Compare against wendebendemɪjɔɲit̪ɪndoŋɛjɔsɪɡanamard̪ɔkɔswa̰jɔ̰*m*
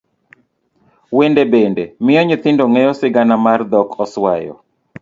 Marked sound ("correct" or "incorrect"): incorrect